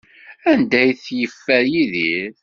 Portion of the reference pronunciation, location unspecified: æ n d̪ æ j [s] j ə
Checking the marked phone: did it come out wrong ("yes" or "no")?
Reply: yes